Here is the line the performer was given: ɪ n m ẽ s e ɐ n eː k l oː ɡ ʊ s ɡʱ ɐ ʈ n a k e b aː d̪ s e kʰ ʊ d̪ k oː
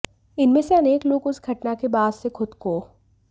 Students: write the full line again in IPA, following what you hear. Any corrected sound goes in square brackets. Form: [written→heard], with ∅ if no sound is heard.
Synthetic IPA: ɪ n m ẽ s e ɐ n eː k l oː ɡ ʊ s ɡʱ ɐ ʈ n a k e b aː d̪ s e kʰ ʊ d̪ k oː